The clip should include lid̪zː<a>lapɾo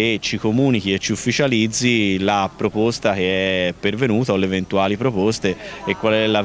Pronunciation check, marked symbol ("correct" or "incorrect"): incorrect